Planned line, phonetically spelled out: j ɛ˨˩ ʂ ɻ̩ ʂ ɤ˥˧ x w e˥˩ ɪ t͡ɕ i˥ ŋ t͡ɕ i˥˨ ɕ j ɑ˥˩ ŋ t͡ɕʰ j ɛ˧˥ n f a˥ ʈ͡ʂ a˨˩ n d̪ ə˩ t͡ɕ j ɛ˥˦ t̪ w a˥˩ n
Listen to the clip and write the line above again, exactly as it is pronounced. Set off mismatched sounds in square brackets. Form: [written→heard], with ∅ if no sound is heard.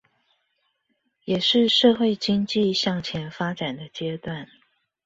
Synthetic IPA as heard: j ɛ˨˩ ʂ ɻ̩ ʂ ɤ˥˧ x w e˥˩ ɪ t͡ɕ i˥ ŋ t͡ɕ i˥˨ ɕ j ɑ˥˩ ŋ t͡ɕʰ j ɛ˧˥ n f a˥ ʈ͡ʂ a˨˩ n d̪ [ə˩→ə˦] t͡ɕ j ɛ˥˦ t̪ w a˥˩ n